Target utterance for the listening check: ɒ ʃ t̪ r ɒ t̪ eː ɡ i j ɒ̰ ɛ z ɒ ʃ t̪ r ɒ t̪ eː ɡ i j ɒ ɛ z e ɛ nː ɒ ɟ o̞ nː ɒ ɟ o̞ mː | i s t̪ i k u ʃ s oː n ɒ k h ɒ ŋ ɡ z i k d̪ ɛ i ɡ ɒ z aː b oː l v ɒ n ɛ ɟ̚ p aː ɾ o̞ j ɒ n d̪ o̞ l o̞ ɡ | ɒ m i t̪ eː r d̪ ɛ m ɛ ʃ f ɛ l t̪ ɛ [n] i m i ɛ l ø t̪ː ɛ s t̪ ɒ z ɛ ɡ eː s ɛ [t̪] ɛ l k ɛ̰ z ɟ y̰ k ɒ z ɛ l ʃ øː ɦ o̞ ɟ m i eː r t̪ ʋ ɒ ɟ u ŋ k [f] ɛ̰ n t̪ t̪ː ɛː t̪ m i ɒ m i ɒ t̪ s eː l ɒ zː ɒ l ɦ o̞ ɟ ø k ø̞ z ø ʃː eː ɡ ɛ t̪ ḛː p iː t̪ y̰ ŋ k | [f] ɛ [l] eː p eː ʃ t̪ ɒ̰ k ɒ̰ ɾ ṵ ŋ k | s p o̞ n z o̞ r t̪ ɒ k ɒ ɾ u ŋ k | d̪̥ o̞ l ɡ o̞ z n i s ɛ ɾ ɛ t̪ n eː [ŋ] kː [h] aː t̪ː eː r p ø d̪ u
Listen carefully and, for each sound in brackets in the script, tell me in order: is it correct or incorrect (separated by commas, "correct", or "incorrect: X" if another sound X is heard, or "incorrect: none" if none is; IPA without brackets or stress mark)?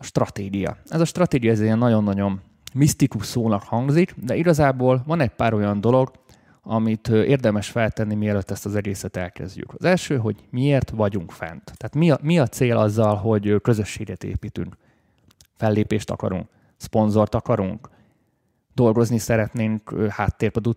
incorrect: nː, correct, correct, correct, incorrect: lː, correct, correct